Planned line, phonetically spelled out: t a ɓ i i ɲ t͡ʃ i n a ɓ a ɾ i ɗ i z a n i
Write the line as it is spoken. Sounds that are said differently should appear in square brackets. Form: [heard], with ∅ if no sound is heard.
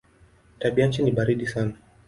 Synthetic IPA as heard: t a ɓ i [a] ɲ t͡ʃ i n [i] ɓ a ɾ i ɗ i [s] a n [a]